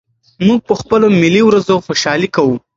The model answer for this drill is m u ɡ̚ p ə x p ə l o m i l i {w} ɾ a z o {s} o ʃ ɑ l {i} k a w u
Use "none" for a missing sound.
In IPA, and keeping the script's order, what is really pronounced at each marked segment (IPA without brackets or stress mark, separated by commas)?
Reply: w, x, i